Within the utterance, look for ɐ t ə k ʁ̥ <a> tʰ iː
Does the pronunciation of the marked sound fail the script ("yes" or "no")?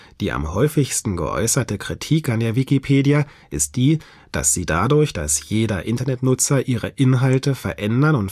yes